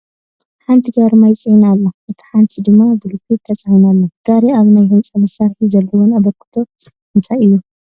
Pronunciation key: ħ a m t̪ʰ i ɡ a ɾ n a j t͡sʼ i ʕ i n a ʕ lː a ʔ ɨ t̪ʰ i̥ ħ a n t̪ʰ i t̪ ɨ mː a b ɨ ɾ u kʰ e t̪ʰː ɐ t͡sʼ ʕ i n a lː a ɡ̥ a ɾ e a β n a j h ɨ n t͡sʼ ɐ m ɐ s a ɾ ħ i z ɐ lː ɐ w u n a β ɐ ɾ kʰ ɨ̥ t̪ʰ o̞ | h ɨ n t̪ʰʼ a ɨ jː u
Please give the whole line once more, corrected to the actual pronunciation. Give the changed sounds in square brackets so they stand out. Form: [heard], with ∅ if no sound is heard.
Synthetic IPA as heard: ħ a [n] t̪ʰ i ɡ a ɾ [m] a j t͡sʼ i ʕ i n a [∅] lː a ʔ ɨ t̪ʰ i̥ ħ a n t̪ʰ i [d̪] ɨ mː a b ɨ [l] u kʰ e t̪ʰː ɐ t͡sʼ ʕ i n a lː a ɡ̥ a ɾ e a β n a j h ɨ n t͡sʼ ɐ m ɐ s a ɾ ħ i z ɐ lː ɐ w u n a β ɐ ɾ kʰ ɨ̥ t̪ʰ o̞ | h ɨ n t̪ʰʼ a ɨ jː u